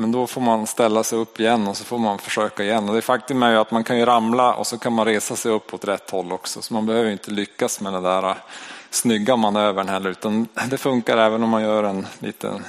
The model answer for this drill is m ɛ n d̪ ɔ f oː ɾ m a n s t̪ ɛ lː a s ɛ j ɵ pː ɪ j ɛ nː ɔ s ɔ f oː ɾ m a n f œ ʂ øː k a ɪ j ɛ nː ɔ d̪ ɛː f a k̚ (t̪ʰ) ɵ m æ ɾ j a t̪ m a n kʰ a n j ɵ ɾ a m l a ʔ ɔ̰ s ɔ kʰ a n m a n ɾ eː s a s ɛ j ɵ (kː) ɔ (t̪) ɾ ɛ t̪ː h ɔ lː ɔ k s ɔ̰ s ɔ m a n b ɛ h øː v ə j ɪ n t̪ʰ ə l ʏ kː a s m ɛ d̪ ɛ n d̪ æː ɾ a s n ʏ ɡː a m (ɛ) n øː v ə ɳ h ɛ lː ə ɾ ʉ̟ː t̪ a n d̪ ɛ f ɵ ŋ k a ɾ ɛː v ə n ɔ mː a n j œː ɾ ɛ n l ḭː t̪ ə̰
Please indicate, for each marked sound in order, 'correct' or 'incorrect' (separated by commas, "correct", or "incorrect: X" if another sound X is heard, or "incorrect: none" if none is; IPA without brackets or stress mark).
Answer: incorrect: t̪, incorrect: pː, correct, incorrect: a